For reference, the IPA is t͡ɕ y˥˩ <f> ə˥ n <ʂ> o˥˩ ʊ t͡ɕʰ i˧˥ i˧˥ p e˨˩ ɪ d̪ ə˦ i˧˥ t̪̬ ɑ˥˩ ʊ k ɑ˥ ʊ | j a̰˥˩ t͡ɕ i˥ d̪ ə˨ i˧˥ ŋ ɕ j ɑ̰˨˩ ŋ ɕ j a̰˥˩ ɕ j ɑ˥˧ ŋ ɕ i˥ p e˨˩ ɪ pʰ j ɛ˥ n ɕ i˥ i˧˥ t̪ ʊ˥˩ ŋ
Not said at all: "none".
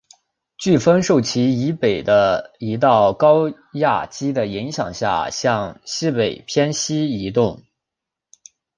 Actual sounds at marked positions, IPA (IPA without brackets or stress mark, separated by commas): f, ʂ